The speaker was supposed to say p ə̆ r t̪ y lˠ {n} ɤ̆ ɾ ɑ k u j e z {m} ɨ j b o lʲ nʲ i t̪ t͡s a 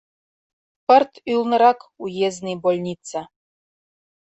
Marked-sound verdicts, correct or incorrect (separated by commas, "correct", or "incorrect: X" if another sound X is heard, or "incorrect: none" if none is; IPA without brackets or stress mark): correct, incorrect: n